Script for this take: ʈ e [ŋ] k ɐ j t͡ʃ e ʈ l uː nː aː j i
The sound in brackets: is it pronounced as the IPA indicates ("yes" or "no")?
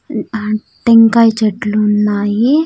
yes